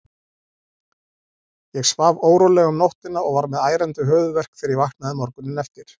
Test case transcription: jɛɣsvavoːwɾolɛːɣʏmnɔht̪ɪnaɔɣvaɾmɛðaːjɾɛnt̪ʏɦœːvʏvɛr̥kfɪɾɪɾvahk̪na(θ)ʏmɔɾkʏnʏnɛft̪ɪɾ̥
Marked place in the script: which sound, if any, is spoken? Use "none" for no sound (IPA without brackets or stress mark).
ð